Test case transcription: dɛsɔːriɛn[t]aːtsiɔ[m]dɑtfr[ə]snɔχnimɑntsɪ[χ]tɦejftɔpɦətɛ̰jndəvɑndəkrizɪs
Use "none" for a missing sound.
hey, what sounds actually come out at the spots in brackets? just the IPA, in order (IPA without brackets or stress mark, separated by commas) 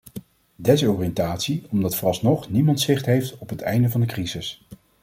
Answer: t, m, ɑ, χ